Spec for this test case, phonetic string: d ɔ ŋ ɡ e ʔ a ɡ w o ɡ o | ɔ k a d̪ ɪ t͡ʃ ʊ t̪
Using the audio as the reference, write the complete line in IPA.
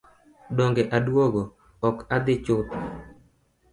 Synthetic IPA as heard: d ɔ ŋ ɡ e ʔ a d w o ɡ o | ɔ k a d̪ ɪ t͡ʃ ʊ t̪